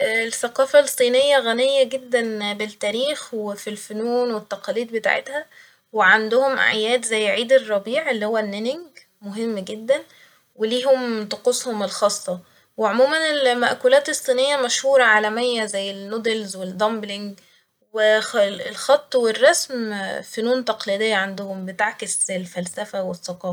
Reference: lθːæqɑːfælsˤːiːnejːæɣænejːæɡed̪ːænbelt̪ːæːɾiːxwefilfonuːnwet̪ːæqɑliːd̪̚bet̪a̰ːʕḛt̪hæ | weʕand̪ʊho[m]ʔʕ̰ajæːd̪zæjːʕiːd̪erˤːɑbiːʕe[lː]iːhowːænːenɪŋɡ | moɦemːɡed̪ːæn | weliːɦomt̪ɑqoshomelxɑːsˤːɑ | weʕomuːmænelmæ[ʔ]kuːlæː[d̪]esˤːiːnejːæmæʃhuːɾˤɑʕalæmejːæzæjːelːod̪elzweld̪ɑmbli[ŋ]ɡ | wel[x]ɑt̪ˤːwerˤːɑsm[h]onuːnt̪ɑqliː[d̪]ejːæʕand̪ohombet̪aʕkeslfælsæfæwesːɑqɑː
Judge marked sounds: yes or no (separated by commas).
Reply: yes, yes, yes, no, yes, yes, no, yes